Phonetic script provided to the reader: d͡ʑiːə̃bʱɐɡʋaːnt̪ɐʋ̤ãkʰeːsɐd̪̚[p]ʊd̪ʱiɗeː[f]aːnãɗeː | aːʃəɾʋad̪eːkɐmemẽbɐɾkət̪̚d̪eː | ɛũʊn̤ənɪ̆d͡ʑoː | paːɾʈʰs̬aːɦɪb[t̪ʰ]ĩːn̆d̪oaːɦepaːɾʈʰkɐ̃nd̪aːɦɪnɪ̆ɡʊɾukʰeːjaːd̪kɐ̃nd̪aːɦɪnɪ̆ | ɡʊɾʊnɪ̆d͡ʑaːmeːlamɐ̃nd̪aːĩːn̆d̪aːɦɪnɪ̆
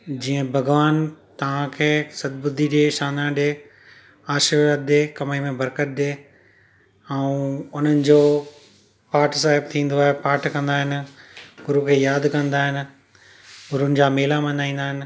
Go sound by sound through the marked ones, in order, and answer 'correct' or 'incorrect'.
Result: incorrect: b, incorrect: ʃ, correct

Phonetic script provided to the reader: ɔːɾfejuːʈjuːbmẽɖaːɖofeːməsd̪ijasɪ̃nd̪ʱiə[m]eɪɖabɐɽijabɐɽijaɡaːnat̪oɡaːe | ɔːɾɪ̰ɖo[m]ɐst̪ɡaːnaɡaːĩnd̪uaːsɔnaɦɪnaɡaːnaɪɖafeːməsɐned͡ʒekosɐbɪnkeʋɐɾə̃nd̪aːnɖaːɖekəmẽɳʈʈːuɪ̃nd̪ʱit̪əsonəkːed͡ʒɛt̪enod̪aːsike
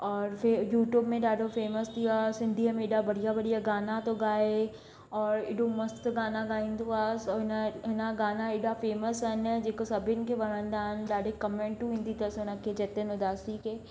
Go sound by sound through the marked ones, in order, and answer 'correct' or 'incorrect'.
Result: correct, correct

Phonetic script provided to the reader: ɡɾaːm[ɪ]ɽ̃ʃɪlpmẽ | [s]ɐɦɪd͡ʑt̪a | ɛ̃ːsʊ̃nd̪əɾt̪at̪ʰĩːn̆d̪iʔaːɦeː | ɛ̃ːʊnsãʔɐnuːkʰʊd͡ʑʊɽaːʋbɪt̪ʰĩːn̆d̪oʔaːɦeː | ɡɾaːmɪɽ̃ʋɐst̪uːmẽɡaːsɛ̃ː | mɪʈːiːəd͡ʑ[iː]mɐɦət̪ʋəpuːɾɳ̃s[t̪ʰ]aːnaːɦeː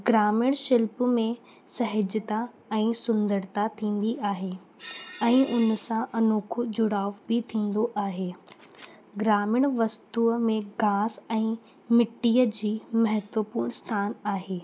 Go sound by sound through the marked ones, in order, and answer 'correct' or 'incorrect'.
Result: correct, correct, correct, correct

